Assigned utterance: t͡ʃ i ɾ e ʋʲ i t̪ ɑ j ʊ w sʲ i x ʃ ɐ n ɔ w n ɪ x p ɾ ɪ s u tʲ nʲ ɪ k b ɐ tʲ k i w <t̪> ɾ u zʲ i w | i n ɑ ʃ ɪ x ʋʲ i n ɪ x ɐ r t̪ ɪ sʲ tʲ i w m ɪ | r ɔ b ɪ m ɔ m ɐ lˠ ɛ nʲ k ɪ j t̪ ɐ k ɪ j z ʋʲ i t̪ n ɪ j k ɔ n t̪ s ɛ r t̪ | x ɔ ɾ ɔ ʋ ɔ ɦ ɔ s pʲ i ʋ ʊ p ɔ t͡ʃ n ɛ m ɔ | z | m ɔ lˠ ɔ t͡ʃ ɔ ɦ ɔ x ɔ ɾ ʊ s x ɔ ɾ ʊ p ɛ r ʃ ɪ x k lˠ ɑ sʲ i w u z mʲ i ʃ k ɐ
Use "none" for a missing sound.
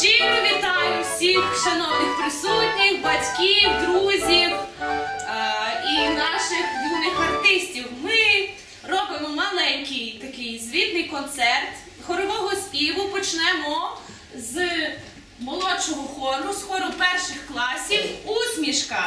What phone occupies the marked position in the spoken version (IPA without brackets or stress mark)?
d̪